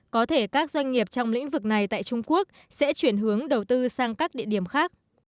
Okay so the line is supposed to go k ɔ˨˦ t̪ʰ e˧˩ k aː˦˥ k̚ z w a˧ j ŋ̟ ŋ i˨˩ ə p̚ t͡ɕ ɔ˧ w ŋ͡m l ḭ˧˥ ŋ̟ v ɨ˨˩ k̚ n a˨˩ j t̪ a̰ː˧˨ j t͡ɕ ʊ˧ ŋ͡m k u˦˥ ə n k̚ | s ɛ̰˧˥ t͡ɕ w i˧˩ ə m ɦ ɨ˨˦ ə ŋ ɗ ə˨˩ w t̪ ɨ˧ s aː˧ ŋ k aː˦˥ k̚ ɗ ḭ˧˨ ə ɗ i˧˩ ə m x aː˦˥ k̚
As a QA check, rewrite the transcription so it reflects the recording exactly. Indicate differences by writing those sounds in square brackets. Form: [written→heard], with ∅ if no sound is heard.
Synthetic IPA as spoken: k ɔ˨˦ t̪ʰ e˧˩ k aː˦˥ k̚ z w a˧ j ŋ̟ ŋ i˨˩ ə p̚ t͡ɕ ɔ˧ w ŋ͡m l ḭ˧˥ ŋ̟ v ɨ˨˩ k̚ n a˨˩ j t̪ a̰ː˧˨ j t͡ɕ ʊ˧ ŋ͡m k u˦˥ ə [n→∅] k̚ | s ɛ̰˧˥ t͡ɕ w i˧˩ ə [m→n] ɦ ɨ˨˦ ə ŋ ɗ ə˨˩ w t̪ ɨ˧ s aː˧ ŋ k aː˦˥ k̚ ɗ ḭ˧˨ ə ɗ i˧˩ ə m x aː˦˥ k̚